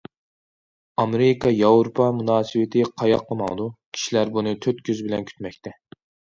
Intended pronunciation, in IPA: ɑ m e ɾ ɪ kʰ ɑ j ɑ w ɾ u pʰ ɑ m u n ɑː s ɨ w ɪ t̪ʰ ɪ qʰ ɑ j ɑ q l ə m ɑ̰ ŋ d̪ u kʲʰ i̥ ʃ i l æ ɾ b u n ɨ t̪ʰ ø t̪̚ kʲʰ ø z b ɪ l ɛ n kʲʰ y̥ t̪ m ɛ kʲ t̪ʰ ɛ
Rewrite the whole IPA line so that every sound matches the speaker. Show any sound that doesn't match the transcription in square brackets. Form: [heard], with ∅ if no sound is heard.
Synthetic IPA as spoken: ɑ m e ɾ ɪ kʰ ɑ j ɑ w ɾ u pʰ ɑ m u n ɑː s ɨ w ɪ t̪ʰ ɪ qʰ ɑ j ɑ q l ə m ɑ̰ ŋ d̪ u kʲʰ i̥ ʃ i l æ ɾ b u n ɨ t̪ʰ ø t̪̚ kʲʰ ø z b ɪ l ɛ n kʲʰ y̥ t̪ m ɛ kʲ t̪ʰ ɛ